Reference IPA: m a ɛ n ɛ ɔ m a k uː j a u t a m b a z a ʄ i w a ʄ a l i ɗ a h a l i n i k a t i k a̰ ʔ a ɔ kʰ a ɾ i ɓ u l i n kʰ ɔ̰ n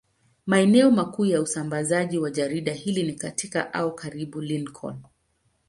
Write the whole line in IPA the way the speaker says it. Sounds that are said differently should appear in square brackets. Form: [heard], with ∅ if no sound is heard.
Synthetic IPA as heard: m a ɛ n ɛ ɔ m a k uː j a u [s] a m b a z a ʄ i w a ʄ a [ɾ] i ɗ a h [i] l i n i k a t i k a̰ ʔ a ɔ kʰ a ɾ i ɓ u l i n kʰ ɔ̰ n